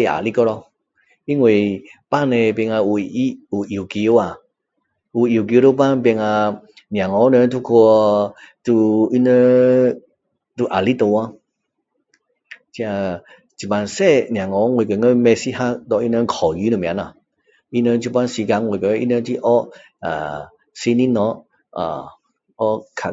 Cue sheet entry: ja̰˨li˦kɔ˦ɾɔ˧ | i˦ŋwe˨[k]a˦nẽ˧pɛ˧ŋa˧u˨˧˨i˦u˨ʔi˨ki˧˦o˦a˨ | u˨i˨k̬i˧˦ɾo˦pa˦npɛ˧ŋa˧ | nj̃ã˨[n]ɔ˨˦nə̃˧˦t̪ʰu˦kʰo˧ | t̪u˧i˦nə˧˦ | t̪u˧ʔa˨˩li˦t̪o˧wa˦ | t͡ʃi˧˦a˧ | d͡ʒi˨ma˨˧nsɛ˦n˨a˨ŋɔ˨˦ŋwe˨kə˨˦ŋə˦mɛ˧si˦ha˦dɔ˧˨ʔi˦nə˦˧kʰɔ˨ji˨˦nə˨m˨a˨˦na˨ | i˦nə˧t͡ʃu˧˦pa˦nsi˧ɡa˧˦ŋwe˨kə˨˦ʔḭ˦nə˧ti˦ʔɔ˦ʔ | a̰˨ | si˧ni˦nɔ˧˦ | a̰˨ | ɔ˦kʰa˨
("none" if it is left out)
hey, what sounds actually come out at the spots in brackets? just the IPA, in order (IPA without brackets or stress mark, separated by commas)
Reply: p, ŋ